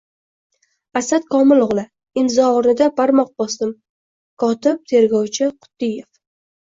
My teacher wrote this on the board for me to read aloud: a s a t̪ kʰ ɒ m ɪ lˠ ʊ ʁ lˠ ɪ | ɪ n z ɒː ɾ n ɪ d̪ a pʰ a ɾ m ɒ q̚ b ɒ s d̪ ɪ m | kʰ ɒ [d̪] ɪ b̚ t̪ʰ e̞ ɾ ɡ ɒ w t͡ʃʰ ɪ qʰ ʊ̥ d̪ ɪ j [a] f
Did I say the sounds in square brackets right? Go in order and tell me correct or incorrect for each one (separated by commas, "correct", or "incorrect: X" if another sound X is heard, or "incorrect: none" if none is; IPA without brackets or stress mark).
incorrect: t̪, incorrect: e